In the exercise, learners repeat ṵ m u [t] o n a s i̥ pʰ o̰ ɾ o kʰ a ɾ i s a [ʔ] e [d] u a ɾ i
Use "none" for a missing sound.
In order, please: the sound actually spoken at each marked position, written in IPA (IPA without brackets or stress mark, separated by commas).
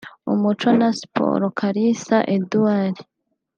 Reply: t͡ʃ, ʔ, d